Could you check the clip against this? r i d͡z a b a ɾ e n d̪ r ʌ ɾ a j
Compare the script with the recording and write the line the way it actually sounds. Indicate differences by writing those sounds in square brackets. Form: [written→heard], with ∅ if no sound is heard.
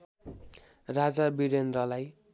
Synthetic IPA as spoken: r [i→a] d͡z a b [a→i] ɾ e n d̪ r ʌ [ɾ→l] a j